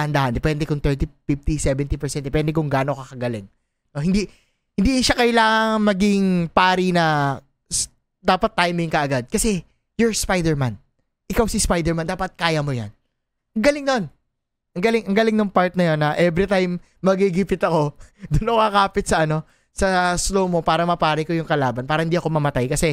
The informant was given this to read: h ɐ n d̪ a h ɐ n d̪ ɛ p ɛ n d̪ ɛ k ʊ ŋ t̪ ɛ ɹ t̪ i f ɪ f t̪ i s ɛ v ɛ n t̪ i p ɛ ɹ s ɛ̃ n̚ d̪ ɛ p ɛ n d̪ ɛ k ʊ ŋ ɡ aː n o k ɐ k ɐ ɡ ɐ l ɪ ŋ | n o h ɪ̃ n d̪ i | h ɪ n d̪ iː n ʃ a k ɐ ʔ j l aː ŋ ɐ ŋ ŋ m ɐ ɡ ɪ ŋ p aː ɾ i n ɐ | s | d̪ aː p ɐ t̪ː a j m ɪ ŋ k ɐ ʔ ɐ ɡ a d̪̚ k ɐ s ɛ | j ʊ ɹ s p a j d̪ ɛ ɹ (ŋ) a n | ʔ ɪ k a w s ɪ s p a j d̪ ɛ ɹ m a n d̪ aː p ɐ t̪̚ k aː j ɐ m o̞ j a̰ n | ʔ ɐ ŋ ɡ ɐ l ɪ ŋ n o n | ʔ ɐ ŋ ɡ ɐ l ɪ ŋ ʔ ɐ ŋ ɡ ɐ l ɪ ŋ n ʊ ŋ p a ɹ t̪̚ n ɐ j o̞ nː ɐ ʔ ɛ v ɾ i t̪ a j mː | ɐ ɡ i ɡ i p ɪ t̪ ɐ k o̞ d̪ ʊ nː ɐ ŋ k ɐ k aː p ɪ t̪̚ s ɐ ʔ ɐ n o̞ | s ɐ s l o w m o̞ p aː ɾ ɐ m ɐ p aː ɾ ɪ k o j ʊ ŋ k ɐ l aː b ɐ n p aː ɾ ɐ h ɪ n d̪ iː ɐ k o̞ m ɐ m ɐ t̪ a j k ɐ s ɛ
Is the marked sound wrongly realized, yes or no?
yes